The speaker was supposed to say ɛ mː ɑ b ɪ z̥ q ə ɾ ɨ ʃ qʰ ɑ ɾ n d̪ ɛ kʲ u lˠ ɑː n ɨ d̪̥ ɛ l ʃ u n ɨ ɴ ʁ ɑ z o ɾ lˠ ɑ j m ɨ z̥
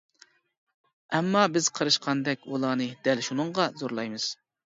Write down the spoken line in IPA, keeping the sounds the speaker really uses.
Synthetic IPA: ɛ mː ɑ b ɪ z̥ qʰ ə ɾ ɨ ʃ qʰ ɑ n d̪ ɛ kʲ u lˠ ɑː n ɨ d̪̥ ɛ l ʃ u n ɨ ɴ ʁ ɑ z o ɾ lˠ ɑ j m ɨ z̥